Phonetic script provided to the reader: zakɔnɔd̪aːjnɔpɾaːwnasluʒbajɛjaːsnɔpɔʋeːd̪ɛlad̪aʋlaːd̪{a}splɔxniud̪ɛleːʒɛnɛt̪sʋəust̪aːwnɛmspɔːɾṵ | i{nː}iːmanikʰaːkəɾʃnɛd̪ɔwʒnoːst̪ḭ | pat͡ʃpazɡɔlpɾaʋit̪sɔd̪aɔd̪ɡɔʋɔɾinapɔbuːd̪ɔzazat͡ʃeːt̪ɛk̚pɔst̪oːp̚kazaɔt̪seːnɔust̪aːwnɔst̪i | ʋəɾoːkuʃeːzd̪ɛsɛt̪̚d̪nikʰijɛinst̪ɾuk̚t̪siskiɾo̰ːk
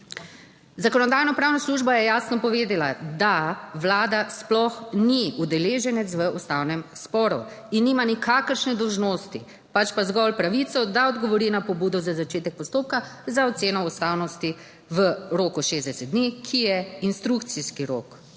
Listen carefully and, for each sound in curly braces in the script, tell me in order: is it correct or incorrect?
correct, correct

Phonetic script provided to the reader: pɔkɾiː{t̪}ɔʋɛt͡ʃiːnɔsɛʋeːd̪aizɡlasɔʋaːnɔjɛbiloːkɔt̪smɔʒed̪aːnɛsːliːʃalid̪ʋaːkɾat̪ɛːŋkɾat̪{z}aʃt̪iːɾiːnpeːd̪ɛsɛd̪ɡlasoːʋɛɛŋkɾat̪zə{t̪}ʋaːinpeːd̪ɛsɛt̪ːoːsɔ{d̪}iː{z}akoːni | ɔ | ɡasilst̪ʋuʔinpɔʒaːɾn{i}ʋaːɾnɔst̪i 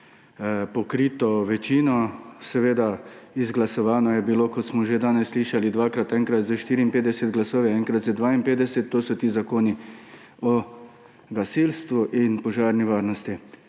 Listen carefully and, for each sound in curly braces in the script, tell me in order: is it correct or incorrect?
correct, correct, incorrect: d̪, incorrect: t̪, correct, correct

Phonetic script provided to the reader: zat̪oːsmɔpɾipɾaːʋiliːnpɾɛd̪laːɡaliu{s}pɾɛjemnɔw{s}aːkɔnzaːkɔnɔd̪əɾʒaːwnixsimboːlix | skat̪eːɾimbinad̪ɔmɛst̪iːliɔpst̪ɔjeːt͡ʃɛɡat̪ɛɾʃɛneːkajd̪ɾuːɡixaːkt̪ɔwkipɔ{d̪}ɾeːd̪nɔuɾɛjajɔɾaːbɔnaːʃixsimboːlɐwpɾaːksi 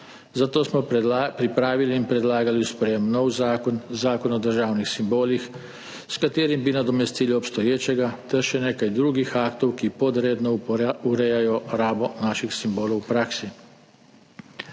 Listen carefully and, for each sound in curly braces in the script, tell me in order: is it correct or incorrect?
correct, incorrect: z, correct

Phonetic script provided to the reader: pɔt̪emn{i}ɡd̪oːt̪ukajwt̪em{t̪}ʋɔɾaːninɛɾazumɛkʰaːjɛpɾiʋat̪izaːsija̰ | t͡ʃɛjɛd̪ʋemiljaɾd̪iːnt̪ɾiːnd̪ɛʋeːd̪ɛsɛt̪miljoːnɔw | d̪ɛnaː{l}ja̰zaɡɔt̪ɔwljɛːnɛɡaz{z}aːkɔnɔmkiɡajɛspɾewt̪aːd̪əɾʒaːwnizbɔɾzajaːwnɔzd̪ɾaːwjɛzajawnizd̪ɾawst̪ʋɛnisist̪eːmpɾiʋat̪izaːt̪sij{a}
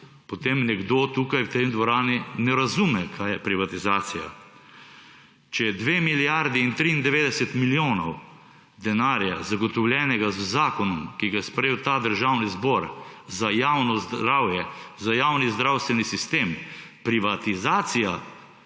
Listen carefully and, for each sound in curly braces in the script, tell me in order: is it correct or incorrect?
incorrect: ɛ, incorrect: d̪, incorrect: ɾ, correct, correct

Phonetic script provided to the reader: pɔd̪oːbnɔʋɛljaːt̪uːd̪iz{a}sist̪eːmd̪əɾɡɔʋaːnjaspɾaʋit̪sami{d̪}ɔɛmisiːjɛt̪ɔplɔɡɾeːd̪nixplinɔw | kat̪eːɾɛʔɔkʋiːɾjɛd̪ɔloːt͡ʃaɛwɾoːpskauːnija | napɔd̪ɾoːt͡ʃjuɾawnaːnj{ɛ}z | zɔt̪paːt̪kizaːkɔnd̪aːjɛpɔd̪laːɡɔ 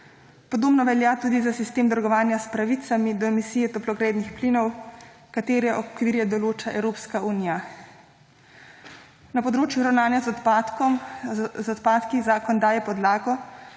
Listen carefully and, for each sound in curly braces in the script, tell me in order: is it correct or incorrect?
correct, correct, incorrect: a

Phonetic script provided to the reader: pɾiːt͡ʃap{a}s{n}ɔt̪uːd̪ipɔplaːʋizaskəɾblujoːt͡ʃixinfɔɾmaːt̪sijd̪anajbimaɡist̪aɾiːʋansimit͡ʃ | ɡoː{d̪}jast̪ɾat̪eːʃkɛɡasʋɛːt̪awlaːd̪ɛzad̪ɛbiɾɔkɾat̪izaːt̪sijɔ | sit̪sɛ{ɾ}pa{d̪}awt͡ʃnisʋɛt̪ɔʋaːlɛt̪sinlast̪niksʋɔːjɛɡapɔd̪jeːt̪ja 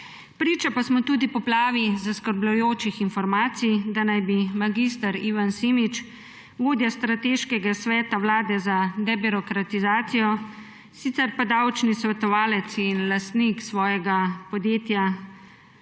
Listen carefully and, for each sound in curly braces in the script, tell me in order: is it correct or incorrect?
correct, incorrect: m, correct, correct, correct

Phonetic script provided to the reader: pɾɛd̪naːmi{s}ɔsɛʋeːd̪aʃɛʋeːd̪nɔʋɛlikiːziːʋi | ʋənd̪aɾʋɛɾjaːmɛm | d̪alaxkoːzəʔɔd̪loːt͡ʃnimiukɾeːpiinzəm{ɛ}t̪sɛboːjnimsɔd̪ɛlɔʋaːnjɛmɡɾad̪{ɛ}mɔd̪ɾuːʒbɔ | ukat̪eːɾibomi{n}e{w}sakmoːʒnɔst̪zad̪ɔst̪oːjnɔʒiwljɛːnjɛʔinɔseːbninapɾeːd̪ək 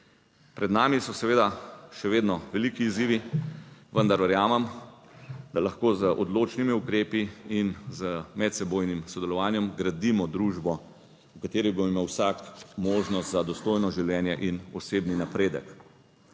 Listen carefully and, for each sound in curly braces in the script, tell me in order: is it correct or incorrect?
correct, correct, incorrect: i, incorrect: m, correct

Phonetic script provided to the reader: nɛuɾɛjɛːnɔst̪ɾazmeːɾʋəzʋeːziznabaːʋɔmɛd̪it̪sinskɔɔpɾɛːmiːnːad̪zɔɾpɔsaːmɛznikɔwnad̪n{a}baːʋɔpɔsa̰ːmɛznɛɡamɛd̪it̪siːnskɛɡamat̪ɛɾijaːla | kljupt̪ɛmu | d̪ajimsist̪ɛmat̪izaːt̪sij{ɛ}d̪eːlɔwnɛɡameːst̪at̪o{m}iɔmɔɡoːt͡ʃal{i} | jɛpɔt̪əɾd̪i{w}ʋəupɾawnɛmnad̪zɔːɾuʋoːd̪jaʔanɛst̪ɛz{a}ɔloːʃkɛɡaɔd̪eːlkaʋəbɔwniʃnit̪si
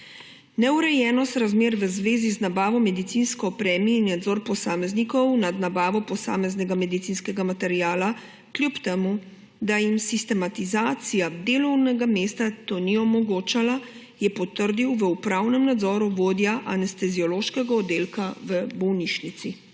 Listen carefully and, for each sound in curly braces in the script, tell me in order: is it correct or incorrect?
correct, incorrect: a, incorrect: n, incorrect: a, correct, incorrect: i

